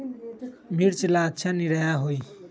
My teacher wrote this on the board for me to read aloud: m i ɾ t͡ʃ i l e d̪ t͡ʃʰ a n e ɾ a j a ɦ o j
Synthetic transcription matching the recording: m i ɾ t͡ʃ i l a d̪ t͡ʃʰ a n i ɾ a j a ɦ o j